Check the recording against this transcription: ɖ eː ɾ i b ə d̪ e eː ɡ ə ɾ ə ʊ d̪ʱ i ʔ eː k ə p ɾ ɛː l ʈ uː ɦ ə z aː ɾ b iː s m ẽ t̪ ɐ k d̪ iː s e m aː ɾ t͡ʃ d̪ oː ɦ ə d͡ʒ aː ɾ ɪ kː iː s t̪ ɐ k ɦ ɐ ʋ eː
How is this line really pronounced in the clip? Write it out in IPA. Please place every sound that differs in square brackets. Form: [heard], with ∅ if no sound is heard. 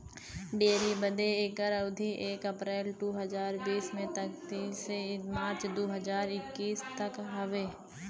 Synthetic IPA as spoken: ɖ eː ɾ i b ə d̪ e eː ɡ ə ɾ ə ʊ d̪ʱ i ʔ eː k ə p ɾ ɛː l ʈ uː ɦ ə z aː ɾ b iː s m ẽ t̪ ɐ k [t̪] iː s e m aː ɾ t͡ʃ d̪ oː ɦ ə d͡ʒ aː ɾ ɪ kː iː s t̪ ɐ k ɦ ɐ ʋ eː